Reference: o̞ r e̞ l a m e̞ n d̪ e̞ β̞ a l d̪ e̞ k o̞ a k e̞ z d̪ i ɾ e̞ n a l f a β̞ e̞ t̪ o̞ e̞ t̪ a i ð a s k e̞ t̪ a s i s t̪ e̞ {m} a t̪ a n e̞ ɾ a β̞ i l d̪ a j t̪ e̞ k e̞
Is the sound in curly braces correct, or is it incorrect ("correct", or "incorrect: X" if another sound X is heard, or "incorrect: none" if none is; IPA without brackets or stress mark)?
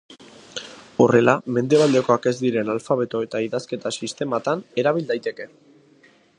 correct